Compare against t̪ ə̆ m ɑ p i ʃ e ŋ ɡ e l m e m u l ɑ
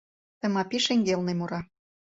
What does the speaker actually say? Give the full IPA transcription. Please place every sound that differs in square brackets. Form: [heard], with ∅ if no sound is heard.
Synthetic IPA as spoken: t̪ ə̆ m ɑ p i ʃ e ŋ ɡ e l [n] e m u [ɾ] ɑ